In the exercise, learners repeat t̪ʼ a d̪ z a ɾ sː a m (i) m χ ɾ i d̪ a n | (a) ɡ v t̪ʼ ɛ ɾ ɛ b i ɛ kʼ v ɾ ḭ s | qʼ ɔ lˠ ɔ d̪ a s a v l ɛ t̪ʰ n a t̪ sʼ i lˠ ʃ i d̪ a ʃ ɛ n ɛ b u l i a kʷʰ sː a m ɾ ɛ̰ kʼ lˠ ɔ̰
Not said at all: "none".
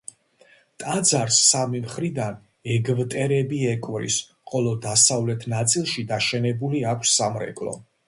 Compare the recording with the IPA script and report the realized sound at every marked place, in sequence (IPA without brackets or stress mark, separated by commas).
i, ɛ